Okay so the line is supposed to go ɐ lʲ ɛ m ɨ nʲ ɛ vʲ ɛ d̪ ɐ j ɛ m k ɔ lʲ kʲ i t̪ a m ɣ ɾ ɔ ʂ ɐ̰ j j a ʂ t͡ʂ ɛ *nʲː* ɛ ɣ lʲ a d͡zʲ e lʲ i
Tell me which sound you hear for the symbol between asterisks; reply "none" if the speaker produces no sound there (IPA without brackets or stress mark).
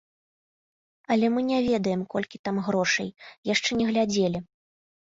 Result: nʲ